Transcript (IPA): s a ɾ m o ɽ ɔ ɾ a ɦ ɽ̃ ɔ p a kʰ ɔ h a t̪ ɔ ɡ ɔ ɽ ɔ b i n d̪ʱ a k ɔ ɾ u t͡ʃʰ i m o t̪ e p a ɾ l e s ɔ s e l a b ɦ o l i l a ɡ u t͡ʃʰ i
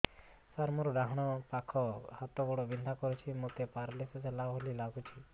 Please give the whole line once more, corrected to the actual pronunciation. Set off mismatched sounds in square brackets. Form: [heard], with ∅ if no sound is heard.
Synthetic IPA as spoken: s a ɾ m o [ɾ] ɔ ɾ a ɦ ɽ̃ ɔ p a kʰ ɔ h a t̪ ɔ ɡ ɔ ɽ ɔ b i n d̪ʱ a k ɔ ɾ u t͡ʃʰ i m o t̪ e p a ɾ l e s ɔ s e l a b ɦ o l i l a ɡ u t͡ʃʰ i